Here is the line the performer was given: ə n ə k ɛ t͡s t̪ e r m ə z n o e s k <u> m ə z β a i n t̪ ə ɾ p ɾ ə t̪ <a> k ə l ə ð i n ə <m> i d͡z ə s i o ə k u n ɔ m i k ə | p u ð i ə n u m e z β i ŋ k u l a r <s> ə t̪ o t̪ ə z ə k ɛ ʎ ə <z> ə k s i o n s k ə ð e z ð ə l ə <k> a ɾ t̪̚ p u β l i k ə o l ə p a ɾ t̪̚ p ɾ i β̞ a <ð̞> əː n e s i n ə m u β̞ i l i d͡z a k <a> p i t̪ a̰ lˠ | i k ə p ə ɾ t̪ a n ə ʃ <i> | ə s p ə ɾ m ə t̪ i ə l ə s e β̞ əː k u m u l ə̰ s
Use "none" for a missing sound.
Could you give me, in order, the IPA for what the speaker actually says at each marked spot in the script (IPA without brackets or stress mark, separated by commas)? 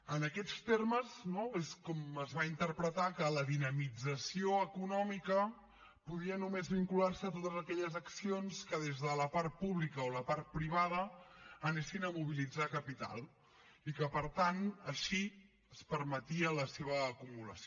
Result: ɔ, a, m, s, z, p, ð̞, ə, i